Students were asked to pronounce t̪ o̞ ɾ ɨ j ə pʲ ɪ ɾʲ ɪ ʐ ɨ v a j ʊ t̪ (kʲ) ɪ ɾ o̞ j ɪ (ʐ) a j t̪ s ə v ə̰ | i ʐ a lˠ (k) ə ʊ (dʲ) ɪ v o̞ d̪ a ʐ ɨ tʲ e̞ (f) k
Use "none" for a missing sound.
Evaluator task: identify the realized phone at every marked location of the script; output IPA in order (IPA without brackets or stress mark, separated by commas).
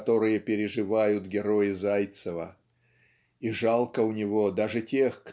ɡʲ, z, k, nʲ, x